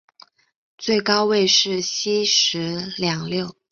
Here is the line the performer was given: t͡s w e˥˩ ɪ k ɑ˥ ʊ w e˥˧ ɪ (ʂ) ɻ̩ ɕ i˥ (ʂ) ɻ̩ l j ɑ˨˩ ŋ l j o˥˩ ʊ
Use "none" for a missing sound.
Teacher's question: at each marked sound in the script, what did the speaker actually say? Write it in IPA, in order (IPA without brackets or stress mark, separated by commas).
ʂ, ʂ